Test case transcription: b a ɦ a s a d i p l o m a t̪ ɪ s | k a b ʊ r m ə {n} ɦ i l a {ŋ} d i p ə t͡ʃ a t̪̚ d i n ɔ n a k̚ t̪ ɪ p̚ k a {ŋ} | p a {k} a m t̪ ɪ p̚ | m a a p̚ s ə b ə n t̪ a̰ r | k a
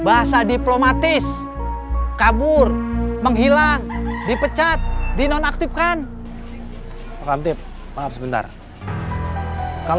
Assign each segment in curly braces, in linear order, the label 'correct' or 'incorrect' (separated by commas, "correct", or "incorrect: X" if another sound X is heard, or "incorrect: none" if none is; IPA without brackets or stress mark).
incorrect: ŋ, correct, incorrect: n, correct